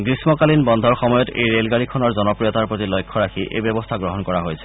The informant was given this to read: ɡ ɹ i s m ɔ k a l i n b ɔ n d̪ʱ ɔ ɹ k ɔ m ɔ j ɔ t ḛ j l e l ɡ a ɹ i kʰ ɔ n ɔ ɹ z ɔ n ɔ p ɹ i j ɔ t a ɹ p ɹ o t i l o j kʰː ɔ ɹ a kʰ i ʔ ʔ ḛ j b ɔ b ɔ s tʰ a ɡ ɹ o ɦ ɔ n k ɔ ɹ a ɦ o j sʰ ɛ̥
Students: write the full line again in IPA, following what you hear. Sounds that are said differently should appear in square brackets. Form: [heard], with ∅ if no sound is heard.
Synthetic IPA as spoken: ɡ ɹ i s m ɔ k a l i n b ɔ n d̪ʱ ɔ ɹ [x] ɔ m ɔ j ɔ t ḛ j [ɹ] e l ɡ a ɹ i kʰ ɔ n ɔ ɹ z ɔ n ɔ p ɹ i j ɔ t a ɹ p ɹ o t i l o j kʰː ɔ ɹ a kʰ i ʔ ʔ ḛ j b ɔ b ɔ s tʰ a ɡ ɹ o ɦ ɔ n k ɔ ɹ a ɦ o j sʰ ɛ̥